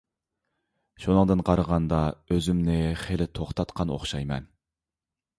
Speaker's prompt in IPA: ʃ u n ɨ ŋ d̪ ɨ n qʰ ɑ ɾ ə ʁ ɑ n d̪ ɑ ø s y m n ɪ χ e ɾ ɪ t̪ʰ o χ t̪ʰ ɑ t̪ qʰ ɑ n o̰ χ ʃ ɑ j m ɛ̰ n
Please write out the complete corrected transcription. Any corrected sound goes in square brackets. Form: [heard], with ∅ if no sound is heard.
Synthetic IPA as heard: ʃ u n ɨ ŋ d̪ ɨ n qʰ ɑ ɾ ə ʁ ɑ n d̪ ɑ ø [z] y m n ɪ χ e [l] ɪ t̪ʰ o χ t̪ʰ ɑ t̪ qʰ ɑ n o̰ χ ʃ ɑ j m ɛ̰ n